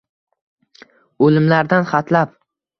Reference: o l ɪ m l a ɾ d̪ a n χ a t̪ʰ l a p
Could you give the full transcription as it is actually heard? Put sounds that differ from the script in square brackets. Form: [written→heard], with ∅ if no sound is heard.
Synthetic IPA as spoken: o l ɪ m l a ɾ d̪ a n χ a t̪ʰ l a p